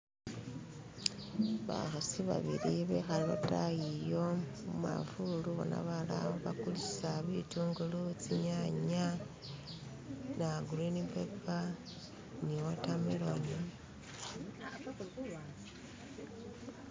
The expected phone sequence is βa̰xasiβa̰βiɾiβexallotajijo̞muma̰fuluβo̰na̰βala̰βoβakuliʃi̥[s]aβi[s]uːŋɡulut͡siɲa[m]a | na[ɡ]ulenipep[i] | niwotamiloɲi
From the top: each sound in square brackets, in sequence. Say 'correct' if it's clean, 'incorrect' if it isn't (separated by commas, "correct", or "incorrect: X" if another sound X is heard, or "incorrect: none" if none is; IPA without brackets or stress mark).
correct, incorrect: t, incorrect: ɲ, correct, incorrect: a